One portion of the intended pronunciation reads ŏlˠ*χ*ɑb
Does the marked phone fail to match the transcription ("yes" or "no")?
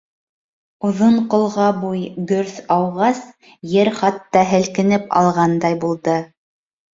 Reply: yes